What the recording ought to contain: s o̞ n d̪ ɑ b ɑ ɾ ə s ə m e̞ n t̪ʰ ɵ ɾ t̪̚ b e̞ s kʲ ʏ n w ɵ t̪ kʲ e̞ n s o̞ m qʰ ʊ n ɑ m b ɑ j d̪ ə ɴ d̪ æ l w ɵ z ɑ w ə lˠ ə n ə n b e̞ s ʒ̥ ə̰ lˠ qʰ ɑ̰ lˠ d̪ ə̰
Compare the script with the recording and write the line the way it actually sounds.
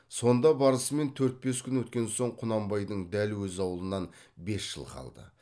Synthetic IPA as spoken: s o̞ n d̪ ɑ b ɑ ɾ ə s ə m e̞ n t̪ʰ ɵ ɾ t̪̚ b e̞ s kʲ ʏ n w ɵ t̪ kʲ e̞ n s o̞ ɴ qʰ ʊ n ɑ m b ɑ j d̪ ə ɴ d̪ æ l w ɵ z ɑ w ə lˠ ə n ɑ n b e̞ s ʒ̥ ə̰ lˠ qʰ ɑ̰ lˠ d̪ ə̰